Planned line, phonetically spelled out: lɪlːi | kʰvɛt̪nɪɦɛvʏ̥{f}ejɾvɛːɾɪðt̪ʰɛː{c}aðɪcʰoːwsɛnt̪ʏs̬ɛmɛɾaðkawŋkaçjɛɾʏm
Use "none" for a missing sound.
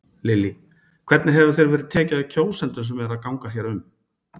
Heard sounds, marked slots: θ, c

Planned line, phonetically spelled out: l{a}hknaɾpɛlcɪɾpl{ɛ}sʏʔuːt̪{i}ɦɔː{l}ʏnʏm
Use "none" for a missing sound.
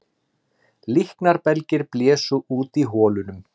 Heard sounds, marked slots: i, ɛː, i, l

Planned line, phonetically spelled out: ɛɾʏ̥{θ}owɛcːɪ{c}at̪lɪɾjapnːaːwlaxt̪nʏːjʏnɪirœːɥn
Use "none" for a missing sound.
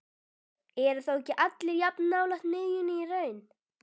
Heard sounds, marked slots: θ, ʔ

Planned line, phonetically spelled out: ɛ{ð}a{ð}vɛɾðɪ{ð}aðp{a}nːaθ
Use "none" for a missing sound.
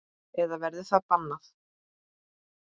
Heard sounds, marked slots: ð, none, θ, a

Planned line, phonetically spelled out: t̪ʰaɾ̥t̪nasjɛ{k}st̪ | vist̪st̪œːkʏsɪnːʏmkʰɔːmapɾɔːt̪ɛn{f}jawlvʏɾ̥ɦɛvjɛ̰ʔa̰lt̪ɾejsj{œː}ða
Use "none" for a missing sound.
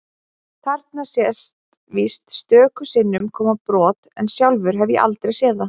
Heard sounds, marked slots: none, s, ɛː

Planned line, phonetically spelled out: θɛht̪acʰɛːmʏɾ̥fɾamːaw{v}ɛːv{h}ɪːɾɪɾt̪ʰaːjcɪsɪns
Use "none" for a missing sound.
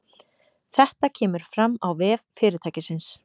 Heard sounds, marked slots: v, f

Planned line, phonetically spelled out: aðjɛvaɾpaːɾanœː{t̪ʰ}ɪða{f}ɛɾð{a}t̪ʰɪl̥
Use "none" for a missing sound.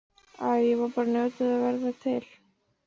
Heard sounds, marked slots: t̪, v, a

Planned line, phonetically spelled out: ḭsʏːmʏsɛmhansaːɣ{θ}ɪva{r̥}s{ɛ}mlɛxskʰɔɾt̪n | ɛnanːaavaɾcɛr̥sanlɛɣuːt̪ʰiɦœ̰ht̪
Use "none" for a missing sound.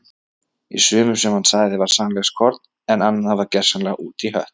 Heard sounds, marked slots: ð, ɾ̥, a

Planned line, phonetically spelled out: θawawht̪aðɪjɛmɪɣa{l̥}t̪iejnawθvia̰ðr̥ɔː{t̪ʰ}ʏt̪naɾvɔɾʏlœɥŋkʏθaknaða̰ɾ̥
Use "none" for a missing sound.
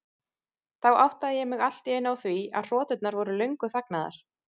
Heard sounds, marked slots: l̥, t̪

